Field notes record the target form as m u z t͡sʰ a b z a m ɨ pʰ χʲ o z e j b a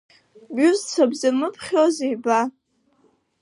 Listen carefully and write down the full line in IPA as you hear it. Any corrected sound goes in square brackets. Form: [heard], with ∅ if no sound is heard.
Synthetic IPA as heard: [b] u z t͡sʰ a b z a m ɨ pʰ χʲ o z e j b a